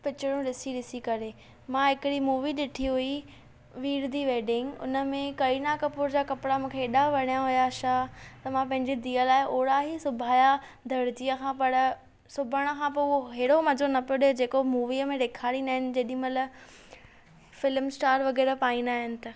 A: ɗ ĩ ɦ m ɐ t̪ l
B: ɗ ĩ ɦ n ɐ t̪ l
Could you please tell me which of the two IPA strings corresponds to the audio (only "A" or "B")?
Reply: A